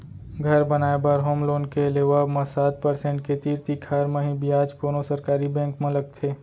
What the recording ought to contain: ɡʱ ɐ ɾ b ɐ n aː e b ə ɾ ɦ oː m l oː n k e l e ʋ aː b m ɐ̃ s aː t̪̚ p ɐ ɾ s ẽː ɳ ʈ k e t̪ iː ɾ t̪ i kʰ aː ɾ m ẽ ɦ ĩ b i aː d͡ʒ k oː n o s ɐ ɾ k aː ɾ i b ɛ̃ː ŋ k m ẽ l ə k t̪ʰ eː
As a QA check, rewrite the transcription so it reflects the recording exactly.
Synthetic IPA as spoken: ɡʱ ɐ ɾ b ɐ n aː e b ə ɾ ɦ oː m l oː n k e l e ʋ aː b m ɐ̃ s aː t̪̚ p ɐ ɾ s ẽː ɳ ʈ k e t̪ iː ɾ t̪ i kʰ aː ɾ m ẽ ɦ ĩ b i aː d͡ʒ k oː n o s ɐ ɾ k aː ɾ i b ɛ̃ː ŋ k m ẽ l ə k t̪ʰ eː